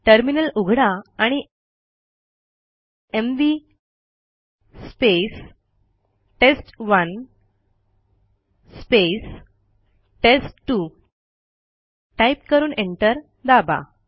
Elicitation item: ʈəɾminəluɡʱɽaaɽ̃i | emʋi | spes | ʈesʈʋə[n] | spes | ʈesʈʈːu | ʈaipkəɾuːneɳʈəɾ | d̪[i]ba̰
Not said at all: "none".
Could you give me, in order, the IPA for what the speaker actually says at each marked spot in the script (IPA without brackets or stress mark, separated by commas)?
n, a